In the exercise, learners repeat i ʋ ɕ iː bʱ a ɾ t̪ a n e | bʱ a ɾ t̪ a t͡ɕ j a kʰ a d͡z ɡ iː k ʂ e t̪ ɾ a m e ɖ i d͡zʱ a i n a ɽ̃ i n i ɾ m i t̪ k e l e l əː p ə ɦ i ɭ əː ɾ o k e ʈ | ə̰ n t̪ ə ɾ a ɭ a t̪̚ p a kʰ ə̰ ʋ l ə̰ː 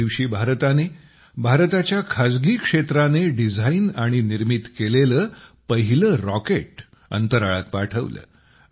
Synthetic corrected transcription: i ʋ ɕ iː bʱ a ɾ t̪ a n e | bʱ a ɾ t̪ a t͡ɕ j a kʰ a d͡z ɡ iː k ʂ e t̪ ɾ a n e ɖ i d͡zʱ a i n a ɽ̃ i n i ɾ m i t̪ k e l e l əː p ə ɦ i l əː ɾ ɔ k e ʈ | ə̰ n t̪ ə ɾ a ɭ a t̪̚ p a ʈʰ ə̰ ʋ l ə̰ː